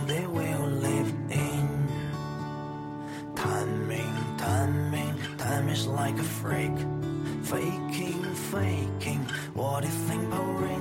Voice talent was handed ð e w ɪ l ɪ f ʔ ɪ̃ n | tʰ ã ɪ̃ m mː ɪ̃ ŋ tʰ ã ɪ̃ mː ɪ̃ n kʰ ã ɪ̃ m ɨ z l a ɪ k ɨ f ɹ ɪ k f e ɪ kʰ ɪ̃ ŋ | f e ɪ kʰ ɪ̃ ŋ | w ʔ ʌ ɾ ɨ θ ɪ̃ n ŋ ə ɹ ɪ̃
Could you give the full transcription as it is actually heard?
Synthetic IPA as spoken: ð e w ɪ l ɪ v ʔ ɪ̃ n | tʰ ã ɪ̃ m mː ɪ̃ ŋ tʰ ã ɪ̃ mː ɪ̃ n tʰ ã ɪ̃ m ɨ z l a ɪ k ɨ f ɹ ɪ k f e ɪ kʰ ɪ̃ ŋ | f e ɪ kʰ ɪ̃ ŋ | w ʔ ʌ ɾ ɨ θ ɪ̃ ŋ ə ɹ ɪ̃